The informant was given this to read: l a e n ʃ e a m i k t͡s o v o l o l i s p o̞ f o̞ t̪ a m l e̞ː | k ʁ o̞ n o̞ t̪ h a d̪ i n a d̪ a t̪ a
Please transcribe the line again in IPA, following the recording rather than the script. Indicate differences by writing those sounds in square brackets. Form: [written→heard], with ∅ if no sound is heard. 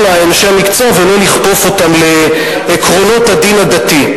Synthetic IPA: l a e n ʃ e a m i k t͡s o v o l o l i [s→χ] p o̞ f o̞ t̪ a m l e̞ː | k ʁ o̞ n o̞ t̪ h a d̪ i n a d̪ a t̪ [a→i]

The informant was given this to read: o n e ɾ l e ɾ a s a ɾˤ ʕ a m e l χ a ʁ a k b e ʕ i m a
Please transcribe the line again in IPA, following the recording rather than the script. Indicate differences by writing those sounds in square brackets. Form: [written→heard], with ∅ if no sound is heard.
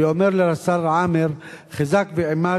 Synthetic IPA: o [n→m] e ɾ l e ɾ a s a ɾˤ ʕ a m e [l→ɾ] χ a [ʁ→z] a k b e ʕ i m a

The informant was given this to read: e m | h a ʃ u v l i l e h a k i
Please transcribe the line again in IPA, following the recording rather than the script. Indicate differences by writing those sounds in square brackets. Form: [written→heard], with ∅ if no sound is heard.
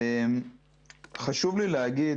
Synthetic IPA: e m | [h→χ] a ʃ u v l i l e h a [k→ɡ] i

